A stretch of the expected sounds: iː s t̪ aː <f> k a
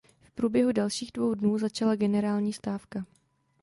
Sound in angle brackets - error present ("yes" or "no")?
no